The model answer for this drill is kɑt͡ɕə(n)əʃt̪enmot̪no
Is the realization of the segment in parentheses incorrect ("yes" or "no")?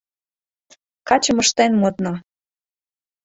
yes